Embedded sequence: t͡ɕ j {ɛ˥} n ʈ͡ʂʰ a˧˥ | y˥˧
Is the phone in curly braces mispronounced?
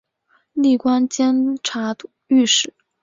no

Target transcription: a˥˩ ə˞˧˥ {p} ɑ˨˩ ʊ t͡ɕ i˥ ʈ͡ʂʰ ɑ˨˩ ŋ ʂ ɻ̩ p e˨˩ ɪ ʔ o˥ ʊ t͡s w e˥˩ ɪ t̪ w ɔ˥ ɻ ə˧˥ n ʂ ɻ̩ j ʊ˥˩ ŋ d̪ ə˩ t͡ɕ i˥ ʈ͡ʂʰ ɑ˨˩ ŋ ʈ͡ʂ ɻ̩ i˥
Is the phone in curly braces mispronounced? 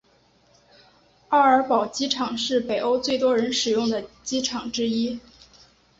no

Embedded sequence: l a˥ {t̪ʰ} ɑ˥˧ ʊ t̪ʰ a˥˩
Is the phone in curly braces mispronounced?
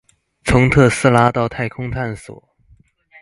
yes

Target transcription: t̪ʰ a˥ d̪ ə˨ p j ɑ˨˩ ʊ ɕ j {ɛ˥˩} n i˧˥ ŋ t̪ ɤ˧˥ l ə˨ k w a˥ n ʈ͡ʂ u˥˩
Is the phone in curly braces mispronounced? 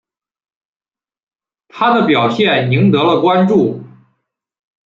no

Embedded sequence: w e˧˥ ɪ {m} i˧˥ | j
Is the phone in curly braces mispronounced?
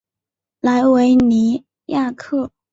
yes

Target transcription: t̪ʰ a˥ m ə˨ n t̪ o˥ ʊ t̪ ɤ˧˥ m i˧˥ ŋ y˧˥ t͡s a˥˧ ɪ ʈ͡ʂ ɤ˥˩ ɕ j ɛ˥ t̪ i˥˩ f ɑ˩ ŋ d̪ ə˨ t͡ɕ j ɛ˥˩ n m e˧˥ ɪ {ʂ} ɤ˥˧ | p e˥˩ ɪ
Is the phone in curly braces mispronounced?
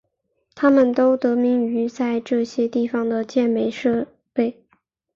no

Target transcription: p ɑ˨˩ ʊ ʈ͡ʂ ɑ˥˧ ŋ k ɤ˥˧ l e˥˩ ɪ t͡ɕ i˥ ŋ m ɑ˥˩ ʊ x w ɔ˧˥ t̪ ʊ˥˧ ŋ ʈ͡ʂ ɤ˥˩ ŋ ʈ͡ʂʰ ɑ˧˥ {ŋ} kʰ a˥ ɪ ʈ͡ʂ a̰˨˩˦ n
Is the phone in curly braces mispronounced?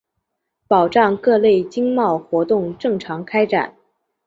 no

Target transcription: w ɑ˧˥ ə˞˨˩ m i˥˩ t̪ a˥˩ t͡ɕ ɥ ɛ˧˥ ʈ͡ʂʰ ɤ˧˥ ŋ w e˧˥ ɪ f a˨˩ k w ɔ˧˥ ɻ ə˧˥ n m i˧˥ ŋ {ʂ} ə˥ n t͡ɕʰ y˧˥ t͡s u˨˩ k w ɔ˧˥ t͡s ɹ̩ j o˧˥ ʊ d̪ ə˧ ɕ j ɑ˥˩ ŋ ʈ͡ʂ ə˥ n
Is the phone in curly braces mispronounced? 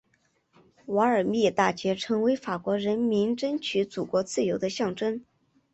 yes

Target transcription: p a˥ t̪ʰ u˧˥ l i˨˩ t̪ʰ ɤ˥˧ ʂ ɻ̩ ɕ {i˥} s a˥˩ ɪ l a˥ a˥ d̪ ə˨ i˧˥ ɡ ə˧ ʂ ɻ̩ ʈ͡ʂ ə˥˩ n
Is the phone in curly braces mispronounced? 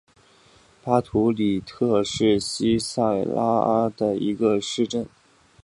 no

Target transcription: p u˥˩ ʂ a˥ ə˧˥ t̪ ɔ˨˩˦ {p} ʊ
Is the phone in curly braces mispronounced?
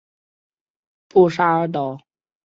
yes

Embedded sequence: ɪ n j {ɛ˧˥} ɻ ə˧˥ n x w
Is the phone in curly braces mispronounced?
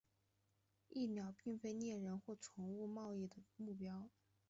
yes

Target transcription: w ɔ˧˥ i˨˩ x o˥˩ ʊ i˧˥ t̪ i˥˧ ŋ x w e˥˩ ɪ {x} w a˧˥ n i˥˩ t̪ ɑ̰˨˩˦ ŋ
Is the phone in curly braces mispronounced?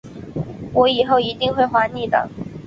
no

